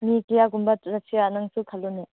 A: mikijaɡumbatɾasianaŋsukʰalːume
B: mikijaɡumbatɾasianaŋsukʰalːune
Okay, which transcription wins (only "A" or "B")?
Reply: B